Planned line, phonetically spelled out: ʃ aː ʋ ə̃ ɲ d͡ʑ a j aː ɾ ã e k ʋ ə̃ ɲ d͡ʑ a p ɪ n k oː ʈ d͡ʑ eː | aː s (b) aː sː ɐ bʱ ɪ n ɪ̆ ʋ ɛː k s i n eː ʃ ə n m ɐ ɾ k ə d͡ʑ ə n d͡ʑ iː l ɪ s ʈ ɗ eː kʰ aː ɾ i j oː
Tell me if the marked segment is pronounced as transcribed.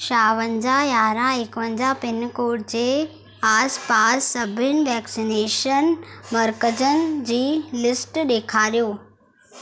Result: no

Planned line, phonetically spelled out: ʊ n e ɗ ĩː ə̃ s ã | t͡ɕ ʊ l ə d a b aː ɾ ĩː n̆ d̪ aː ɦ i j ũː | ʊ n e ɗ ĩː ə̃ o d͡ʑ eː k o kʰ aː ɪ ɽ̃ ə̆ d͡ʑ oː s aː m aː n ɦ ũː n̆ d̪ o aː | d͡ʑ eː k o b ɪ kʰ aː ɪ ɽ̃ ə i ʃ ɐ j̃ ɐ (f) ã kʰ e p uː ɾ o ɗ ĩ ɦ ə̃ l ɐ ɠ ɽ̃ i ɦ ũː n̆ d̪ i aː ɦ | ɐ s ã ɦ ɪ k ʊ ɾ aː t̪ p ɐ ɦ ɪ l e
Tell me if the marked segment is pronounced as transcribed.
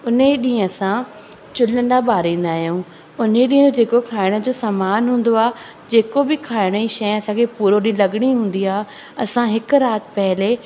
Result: no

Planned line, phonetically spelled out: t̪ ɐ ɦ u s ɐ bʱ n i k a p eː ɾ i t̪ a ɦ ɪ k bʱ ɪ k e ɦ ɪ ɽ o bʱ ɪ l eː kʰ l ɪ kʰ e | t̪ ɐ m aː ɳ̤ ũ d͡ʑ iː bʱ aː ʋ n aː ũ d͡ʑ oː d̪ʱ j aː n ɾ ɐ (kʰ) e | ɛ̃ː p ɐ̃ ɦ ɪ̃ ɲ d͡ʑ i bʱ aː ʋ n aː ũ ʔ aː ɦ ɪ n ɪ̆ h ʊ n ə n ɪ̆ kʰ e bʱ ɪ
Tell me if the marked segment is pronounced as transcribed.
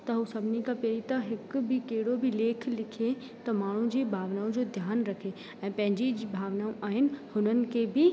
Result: yes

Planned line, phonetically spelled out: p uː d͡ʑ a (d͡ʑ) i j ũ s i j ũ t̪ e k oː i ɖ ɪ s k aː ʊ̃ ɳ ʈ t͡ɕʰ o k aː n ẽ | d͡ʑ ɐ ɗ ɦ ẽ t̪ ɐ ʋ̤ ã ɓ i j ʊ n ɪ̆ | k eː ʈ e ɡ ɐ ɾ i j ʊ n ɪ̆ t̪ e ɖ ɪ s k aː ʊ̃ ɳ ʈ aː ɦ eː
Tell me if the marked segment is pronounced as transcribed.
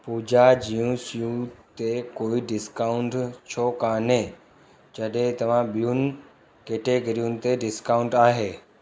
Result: yes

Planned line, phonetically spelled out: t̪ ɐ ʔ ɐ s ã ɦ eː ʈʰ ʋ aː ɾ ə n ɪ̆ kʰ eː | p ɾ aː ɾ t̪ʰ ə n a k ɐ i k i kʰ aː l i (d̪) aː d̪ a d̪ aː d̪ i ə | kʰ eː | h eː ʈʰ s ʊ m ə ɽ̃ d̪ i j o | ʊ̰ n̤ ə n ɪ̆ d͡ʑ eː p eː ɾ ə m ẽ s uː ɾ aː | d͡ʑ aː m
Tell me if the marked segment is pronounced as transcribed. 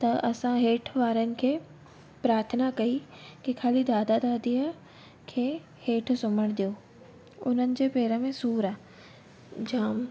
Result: yes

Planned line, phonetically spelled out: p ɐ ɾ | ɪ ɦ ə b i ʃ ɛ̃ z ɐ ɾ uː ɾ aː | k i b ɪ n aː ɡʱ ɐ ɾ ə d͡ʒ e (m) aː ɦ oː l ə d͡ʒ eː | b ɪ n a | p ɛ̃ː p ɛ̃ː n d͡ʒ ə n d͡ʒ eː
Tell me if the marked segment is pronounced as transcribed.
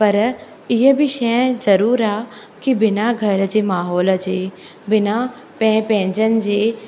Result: yes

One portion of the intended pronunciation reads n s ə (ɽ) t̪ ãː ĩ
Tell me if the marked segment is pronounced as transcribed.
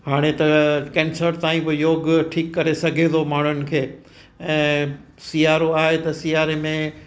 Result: no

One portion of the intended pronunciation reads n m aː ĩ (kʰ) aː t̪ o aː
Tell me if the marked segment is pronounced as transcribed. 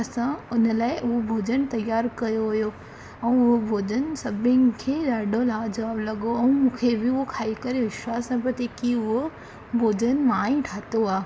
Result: no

